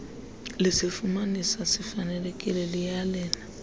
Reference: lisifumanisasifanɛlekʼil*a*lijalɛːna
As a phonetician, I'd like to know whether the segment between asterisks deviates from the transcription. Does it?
yes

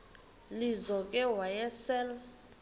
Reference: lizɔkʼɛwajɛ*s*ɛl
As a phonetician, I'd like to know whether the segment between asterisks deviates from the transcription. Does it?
no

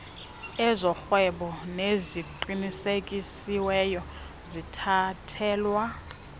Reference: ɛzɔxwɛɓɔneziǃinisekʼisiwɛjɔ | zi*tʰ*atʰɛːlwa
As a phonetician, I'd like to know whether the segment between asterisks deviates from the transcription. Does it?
no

